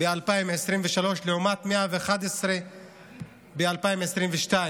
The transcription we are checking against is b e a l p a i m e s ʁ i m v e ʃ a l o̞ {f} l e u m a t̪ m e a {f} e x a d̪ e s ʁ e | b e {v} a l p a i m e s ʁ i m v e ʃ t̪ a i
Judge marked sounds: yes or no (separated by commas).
no, no, no